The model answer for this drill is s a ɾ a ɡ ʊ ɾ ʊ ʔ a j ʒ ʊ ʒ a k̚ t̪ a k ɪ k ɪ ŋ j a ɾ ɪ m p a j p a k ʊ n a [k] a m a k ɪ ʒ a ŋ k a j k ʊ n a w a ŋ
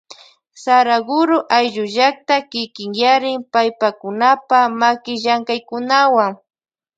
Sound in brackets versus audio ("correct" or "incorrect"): incorrect